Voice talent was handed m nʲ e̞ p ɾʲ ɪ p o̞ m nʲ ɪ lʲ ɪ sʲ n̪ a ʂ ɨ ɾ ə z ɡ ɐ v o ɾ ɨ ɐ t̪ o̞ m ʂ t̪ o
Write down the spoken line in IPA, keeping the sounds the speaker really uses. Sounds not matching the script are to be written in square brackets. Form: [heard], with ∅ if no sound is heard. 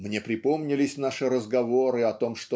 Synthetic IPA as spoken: m nʲ e̞ p ɾʲ ɪ p o̞ m nʲ ɪ lʲ ɪ sʲ n̪ a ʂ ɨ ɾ ə z ɡ ɐ v o ɾ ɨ ɐ t̪ o̞ m ʂ t̪ o